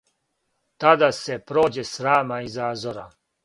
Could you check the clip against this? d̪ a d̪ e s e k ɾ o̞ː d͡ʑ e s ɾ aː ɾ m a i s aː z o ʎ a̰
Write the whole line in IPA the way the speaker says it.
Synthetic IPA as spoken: t̪ a d̪ a s e p ɾ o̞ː d͡ʑ e s ɾ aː m a i z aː z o ɾ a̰